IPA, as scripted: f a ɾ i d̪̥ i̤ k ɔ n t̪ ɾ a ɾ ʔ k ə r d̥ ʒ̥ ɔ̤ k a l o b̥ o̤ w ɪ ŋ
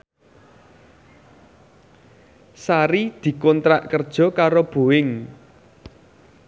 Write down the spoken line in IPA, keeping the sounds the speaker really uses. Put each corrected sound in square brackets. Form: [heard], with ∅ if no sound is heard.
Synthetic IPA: [s] a ɾ i d̪̥ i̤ k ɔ n t̪ ɾ a [∅] ʔ k ə r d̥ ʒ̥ ɔ̤ k a [ɾ] o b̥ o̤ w ɪ ŋ